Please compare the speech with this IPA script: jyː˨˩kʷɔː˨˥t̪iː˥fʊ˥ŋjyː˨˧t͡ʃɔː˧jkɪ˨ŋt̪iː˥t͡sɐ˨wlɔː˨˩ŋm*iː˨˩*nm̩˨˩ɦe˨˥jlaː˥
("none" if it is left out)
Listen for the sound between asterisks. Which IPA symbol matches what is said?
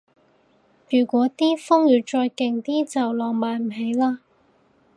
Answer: aː˨˩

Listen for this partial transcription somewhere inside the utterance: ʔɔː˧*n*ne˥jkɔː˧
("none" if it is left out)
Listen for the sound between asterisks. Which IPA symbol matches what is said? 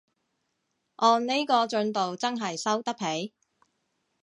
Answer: n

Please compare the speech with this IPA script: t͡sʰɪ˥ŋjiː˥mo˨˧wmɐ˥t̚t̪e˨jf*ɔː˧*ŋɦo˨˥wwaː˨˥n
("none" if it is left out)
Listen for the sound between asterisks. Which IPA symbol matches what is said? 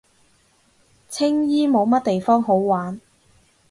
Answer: ɔː˥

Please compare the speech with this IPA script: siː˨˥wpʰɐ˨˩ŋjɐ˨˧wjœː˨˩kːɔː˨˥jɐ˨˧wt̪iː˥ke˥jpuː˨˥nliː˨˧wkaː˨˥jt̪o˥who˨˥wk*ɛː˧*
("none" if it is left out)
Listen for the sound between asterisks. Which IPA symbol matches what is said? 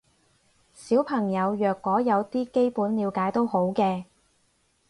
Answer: ɛː˧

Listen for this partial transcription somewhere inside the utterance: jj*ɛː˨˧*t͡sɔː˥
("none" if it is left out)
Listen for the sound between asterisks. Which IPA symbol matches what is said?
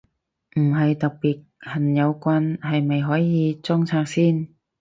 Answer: iː˨˧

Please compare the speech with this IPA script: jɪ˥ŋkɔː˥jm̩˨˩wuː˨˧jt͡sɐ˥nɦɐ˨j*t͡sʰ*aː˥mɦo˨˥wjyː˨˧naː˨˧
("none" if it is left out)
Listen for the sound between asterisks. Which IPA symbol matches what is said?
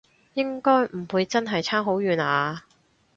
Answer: t͡sʰ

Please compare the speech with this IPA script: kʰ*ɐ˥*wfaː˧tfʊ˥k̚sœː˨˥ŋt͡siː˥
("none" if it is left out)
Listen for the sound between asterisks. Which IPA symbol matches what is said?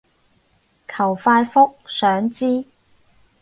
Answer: ɐ˨˩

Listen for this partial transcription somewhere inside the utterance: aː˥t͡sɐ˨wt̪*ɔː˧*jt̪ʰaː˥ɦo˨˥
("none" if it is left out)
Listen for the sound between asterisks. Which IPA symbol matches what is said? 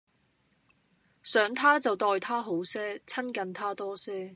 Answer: ɔː˧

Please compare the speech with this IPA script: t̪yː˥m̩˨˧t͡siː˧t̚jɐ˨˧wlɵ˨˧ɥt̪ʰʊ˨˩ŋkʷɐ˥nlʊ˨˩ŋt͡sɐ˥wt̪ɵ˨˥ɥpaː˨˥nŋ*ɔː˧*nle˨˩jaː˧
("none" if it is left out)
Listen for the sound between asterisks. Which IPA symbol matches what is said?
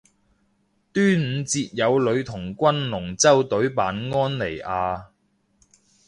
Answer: ɔː˥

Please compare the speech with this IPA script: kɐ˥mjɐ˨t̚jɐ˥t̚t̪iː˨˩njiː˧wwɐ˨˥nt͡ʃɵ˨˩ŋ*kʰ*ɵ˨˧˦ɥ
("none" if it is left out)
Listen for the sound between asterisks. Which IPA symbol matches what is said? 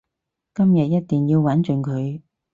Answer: kʰ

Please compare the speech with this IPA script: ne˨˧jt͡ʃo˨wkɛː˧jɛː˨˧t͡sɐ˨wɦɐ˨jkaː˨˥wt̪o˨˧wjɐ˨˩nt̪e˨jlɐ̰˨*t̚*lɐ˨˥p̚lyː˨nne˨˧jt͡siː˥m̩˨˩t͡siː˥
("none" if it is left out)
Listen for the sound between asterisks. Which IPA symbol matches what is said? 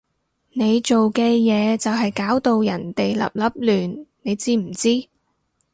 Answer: p̚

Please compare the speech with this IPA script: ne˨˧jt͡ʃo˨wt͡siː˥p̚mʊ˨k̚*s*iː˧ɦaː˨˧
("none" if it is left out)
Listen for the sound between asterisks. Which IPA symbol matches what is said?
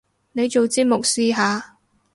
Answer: s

